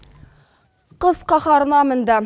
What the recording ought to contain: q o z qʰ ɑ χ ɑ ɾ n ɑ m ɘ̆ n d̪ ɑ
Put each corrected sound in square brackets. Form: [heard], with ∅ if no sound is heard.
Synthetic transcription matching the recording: q [ɤ] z [q] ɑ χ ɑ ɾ n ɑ m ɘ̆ n d̪ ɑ